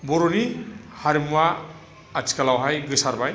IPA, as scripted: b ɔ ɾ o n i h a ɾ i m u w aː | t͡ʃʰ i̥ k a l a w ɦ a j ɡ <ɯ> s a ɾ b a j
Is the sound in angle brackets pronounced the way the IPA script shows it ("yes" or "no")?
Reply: yes